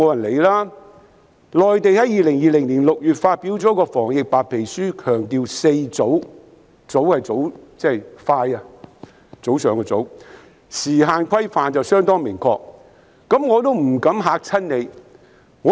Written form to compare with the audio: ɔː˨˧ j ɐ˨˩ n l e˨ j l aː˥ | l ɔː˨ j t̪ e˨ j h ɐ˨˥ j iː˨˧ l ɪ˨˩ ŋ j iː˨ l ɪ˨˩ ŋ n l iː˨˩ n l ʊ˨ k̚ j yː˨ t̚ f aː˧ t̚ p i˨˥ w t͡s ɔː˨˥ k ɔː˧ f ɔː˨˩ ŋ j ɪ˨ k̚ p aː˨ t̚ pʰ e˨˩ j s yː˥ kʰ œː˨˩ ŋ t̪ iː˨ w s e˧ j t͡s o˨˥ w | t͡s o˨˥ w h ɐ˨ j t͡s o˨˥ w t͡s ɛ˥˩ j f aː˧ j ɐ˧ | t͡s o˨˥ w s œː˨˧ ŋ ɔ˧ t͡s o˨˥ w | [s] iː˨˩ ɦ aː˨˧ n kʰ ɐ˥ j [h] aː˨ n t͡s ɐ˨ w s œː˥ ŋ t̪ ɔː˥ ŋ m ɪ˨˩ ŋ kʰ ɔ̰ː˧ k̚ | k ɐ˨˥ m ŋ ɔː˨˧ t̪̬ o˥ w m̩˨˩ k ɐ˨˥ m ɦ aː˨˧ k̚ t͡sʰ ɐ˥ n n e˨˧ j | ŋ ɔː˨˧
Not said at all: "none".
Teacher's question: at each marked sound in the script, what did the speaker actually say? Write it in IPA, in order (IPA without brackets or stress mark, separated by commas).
s, f